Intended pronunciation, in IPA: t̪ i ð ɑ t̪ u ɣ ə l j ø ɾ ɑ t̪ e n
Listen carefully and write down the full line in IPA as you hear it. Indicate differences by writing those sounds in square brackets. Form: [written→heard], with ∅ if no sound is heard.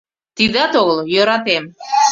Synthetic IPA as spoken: t̪ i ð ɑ t̪ [u→o] ɣ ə l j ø ɾ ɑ t̪ e [n→m]